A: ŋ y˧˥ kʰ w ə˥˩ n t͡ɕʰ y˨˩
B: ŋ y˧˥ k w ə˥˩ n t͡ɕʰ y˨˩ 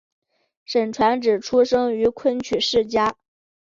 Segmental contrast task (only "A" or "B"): A